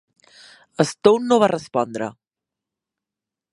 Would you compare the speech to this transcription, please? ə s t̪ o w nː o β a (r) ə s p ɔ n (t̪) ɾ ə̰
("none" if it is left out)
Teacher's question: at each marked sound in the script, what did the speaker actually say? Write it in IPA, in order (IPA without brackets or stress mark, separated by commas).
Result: r, d̪